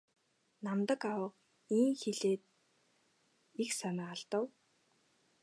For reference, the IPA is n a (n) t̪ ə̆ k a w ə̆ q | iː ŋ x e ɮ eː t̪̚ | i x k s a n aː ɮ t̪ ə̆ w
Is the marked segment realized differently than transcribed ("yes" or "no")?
yes